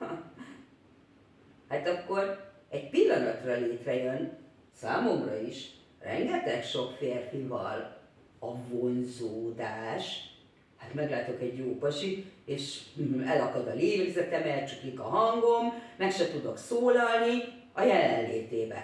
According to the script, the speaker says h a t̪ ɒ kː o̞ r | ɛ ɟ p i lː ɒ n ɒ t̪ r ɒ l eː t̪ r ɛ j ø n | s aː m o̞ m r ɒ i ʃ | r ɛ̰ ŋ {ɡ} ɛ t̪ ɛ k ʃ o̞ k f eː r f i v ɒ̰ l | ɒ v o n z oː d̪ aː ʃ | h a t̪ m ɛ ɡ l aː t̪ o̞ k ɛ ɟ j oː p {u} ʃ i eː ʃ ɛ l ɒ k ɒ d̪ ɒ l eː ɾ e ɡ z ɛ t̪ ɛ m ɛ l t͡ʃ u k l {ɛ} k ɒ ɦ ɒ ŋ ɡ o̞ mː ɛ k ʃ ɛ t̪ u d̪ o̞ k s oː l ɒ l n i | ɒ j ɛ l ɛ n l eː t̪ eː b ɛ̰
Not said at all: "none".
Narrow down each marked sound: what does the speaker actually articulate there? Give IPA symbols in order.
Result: ɡ, ɒ, i

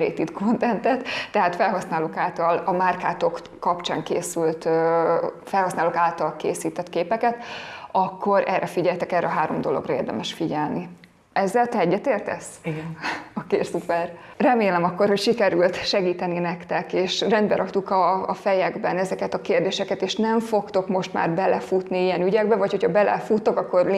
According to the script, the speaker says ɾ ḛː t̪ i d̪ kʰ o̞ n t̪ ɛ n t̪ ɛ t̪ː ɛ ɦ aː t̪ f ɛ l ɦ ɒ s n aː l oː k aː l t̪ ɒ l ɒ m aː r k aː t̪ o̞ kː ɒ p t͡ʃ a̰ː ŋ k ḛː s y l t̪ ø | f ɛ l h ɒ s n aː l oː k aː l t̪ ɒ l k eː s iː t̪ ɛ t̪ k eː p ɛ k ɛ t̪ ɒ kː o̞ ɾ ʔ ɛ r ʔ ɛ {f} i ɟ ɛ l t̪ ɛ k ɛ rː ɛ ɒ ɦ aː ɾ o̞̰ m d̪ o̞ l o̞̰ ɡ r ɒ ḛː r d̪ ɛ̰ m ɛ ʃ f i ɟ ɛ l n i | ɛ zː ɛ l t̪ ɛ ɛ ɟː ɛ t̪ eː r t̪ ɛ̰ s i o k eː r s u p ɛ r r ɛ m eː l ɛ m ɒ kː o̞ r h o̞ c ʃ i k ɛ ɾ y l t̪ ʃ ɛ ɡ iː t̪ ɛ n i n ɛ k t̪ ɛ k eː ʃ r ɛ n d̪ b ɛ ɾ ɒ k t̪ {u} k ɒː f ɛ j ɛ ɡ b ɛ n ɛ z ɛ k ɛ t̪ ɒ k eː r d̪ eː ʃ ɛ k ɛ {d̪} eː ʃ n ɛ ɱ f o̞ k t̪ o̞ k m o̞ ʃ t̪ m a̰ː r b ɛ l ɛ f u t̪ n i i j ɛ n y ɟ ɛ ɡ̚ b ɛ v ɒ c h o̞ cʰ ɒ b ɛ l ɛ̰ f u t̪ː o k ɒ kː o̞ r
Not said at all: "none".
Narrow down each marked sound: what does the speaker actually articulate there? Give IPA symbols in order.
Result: f, u, t̪

